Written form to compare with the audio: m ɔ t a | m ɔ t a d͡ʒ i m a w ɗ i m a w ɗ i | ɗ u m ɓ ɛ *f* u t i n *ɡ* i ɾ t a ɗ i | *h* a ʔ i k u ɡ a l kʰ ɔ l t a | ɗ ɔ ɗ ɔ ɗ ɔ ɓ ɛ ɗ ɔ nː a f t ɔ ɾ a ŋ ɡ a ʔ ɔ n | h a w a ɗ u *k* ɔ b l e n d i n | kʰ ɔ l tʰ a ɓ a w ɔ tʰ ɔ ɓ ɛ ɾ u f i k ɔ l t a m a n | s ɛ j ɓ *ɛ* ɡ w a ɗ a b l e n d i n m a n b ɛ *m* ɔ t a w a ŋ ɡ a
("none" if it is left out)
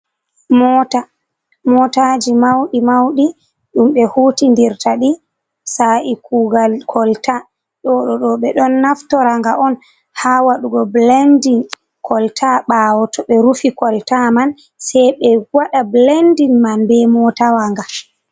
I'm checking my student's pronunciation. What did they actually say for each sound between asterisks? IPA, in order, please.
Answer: h, d, s, ɡ, ɛ, m

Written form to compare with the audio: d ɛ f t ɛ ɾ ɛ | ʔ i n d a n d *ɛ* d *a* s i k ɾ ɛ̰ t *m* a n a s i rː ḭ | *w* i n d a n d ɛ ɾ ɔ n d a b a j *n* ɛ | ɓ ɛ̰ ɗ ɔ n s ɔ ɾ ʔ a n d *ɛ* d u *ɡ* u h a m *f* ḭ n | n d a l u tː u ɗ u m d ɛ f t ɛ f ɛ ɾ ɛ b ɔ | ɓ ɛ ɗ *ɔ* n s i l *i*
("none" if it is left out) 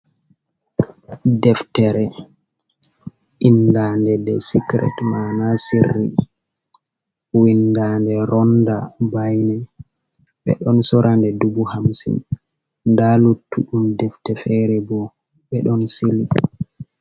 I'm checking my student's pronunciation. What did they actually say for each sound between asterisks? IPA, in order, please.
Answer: ɛ, ɛ, m, w, n, ɛ, b, s, ɔ, i

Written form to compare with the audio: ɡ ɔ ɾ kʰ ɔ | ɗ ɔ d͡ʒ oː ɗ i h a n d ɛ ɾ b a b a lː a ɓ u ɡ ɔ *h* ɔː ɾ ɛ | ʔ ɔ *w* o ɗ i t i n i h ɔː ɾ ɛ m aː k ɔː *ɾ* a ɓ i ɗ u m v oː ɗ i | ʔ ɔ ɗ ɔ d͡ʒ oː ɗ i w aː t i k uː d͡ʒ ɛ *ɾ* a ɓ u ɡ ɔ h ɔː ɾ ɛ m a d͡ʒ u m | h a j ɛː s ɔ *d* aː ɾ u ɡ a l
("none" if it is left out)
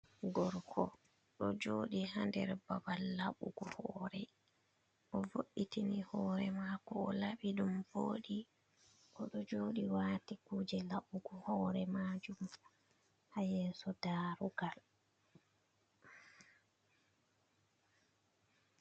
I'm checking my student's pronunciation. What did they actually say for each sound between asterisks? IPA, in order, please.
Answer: h, v, l, l, d

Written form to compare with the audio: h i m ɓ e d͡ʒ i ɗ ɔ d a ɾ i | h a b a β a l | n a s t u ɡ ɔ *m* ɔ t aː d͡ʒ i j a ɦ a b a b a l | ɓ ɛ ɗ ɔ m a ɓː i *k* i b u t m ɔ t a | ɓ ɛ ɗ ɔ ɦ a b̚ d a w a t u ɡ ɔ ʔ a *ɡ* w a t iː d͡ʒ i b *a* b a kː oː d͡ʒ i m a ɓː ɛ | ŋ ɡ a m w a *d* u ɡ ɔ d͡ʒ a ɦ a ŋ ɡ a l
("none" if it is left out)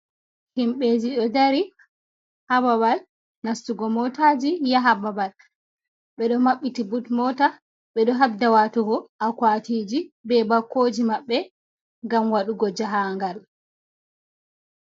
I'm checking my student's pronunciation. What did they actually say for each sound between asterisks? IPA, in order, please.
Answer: m, t, k, ɛ, ɗ

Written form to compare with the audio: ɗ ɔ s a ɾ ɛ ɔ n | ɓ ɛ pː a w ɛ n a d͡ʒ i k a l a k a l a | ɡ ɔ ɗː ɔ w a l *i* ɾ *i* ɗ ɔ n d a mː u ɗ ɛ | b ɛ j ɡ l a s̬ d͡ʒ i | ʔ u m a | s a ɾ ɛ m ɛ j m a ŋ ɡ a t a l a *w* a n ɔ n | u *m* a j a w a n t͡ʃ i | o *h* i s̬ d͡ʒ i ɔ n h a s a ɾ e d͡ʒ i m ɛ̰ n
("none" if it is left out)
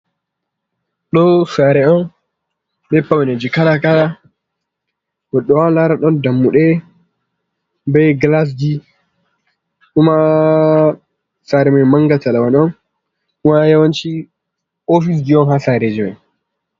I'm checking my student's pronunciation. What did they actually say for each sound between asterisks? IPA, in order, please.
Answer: a, a, w, m, f

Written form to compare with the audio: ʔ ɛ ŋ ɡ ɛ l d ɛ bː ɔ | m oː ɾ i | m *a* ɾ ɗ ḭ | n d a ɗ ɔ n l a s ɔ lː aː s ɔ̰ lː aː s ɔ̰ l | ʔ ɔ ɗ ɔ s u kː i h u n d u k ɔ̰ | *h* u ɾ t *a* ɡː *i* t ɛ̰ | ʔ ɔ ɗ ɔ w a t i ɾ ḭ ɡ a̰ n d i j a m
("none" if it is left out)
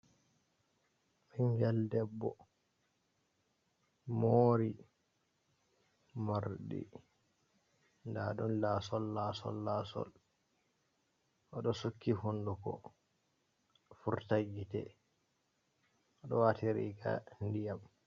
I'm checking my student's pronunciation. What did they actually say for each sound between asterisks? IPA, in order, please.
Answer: a, f, a, i

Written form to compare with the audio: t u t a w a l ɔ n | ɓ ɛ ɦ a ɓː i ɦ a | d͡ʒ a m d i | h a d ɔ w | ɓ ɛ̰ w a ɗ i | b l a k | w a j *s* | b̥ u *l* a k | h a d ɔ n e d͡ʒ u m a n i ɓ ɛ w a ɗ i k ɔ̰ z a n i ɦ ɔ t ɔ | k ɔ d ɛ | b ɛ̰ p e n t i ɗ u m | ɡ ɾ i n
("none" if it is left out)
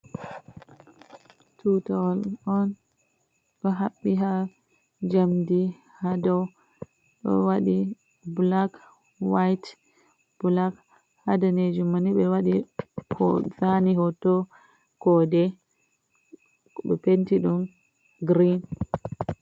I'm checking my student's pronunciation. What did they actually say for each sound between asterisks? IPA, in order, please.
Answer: t, l

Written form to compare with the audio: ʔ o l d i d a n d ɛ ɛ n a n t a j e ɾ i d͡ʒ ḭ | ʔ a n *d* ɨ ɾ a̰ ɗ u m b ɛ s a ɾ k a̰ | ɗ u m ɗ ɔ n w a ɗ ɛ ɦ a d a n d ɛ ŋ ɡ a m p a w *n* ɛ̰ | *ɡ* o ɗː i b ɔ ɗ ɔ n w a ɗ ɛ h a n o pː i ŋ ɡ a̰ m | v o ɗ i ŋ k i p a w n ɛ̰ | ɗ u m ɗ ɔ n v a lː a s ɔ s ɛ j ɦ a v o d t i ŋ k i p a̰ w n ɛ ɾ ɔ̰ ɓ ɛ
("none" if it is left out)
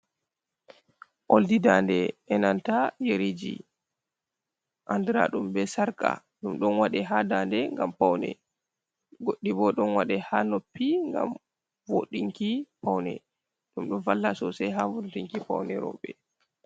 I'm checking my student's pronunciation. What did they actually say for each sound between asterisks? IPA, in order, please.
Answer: d, n, ɡ

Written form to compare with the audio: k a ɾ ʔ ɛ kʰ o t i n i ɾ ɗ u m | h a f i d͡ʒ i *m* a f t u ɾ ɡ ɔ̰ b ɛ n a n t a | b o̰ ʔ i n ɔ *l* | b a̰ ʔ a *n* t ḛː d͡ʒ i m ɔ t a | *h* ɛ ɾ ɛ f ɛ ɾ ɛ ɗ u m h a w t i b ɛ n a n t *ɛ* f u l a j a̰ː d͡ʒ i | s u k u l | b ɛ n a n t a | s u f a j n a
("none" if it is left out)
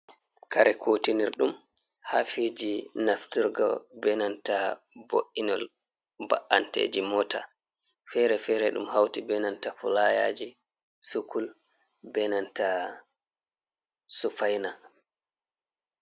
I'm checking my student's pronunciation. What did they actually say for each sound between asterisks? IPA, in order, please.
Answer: n, l, n, f, a

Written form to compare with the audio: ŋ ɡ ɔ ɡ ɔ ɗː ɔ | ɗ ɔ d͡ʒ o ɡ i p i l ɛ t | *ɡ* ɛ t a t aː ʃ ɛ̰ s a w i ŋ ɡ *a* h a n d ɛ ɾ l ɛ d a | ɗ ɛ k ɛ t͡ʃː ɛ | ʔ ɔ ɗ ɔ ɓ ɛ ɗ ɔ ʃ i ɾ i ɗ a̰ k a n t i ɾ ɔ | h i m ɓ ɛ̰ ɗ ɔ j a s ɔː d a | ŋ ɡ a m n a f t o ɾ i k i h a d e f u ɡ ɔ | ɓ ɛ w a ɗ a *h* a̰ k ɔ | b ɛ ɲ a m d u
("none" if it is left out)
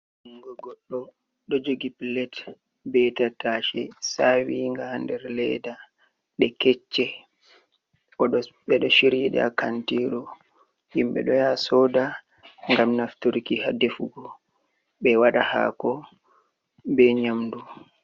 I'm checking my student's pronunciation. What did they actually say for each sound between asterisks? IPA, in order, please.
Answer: b, a, h

